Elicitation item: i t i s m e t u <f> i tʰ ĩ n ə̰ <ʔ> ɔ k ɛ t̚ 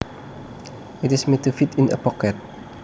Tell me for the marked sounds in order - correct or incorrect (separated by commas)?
correct, incorrect